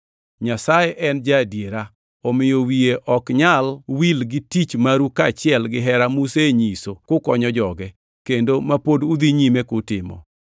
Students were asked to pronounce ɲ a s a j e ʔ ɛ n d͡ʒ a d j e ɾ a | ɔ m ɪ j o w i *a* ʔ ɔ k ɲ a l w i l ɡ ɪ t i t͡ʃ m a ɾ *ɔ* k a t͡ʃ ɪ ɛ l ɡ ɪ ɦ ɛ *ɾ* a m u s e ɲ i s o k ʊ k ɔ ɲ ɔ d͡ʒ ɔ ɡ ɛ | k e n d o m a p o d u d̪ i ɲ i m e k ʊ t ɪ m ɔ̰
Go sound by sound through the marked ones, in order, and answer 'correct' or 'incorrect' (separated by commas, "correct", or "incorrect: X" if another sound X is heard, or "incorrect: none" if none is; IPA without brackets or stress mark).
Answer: incorrect: e, incorrect: u, correct